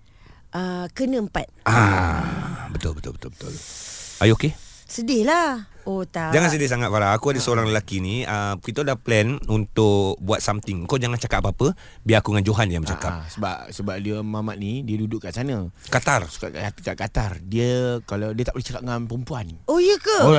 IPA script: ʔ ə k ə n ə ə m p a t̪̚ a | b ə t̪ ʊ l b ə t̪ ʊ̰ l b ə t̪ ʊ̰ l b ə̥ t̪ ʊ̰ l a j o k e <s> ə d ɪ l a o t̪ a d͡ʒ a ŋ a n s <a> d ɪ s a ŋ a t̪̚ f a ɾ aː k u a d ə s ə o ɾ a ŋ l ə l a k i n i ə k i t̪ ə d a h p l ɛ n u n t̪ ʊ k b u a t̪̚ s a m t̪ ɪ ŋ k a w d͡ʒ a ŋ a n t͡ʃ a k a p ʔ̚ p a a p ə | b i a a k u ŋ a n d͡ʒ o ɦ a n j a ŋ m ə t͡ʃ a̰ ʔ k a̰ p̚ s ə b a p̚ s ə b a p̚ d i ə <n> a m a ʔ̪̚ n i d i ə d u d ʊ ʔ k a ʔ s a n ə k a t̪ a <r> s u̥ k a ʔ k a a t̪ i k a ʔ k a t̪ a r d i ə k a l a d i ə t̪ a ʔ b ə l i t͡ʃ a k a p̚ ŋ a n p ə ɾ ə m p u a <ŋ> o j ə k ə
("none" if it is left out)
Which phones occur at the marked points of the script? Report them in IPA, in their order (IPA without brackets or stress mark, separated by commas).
s, ə, m, r, n